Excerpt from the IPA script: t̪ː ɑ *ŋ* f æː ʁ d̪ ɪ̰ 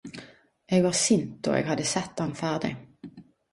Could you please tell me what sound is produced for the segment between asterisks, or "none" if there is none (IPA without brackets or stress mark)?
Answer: n